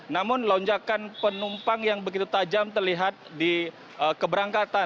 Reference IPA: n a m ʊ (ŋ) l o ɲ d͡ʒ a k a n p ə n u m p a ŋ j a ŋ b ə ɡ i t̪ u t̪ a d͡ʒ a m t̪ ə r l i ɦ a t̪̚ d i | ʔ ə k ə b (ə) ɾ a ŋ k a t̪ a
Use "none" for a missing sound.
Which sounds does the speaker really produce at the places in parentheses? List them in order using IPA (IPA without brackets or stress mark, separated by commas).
n, ə